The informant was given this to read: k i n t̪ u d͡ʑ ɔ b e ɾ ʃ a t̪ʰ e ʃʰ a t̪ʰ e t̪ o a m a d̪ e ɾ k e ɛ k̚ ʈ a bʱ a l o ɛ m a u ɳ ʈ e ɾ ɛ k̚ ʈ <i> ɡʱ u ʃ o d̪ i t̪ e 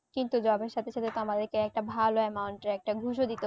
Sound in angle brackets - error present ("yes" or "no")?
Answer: yes